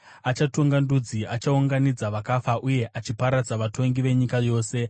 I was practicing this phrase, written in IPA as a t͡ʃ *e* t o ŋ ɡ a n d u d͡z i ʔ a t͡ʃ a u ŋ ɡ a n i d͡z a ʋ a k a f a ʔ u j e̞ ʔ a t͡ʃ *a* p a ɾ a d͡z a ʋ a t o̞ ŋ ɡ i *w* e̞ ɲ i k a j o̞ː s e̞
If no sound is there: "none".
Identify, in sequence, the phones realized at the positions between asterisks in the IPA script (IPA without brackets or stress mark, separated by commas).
a, i, ʋ